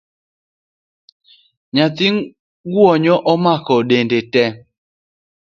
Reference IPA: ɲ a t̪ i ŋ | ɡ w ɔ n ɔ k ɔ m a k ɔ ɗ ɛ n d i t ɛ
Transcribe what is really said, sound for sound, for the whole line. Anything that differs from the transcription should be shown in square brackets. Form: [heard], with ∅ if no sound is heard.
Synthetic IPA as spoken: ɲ a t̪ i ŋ | ɡ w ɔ [ɲ] ɔ [ʔ] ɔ m a k ɔ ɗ [e] n d [e] t ɛ

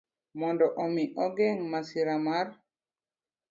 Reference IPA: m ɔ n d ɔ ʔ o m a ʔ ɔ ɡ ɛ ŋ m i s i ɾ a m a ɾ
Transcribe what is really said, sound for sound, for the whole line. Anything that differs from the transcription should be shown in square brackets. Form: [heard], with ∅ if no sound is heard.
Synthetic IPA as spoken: m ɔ n d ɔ ʔ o m [i] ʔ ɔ ɡ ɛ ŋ m [a] s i ɾ a m a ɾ

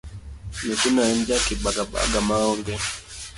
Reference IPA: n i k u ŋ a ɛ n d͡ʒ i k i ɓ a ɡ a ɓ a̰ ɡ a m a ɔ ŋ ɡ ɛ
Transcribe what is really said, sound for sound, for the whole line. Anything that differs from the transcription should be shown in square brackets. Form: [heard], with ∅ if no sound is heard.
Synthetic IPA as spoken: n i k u [n] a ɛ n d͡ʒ [a] k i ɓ a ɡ a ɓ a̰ ɡ a m a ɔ ŋ ɡ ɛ

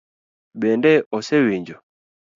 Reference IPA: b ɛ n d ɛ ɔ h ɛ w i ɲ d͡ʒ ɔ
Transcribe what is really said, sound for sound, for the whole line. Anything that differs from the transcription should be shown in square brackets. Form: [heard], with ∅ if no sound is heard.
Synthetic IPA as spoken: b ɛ n d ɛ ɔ [s] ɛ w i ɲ d͡ʒ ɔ

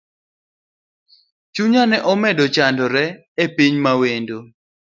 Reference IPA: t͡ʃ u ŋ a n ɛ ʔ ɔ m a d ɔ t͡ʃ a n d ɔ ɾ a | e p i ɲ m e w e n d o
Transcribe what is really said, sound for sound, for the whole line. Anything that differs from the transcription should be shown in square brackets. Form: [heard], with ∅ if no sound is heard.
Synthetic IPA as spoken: t͡ʃ u [ɲ] a n ɛ ʔ ɔ m [ɛ] d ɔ t͡ʃ a n d ɔ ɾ [ɛ] | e p i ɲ m [a] w e n d o

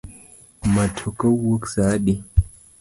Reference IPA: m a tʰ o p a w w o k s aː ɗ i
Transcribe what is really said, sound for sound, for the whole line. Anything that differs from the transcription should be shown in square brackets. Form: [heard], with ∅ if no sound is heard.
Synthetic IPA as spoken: m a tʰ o [k] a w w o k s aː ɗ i

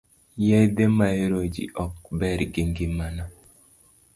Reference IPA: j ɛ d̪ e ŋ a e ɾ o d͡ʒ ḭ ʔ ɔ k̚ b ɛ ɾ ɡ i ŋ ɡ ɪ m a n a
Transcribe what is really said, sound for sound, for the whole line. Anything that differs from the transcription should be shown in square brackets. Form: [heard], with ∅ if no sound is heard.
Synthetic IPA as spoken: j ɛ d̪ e [m] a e ɾ o d͡ʒ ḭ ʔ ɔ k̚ b ɛ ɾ ɡ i ŋ ɡ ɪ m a n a

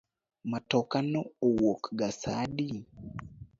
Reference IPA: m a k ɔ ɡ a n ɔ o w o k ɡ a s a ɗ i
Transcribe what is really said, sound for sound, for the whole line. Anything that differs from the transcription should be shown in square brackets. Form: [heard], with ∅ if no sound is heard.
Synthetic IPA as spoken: m a [t] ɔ [k] a n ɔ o w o k ɡ a s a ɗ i

